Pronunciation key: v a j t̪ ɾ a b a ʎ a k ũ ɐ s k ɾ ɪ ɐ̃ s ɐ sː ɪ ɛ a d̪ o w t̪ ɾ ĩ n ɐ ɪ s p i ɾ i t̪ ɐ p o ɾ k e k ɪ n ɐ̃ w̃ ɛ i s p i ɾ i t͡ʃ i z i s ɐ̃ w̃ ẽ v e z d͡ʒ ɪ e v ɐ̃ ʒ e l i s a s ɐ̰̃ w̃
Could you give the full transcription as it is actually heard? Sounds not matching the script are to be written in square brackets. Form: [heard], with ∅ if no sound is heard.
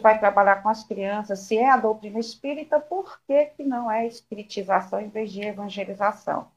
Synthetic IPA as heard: v a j t̪ ɾ a b a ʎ a k [õ] ɐ s k ɾ [i] ɐ̃ s ɐ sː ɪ ɛ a d̪ o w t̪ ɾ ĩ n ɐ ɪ s p i ɾ i t̪ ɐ p o ɾ k e k ɪ n ɐ̃ w̃ ɛ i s p i ɾ i t͡ʃ i z [a] s ɐ̃ w̃ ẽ v e z d͡ʒ ɪ e v ɐ̃ ʒ e l i [z] a s ɐ̰̃ w̃